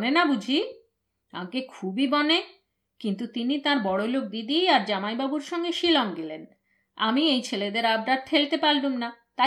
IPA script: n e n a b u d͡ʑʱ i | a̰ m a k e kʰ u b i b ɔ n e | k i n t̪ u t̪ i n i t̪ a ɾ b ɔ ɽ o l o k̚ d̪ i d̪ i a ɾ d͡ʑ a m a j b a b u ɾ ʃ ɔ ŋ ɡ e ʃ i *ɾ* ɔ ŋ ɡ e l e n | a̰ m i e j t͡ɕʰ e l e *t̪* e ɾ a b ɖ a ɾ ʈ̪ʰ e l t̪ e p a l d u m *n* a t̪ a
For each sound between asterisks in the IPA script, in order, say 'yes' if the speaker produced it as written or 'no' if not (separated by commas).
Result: no, no, yes